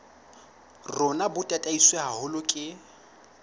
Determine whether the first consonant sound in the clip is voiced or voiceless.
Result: voiced